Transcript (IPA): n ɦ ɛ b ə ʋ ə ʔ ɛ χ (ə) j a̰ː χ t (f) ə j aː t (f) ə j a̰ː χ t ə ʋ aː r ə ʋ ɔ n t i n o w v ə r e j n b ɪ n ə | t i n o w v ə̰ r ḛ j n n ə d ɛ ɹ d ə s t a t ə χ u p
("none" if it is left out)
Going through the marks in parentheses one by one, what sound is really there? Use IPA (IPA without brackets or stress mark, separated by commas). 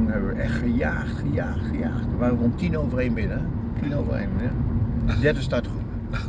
ə, χ, χ